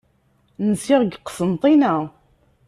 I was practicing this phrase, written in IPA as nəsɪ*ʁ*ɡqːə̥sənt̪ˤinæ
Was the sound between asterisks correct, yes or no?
yes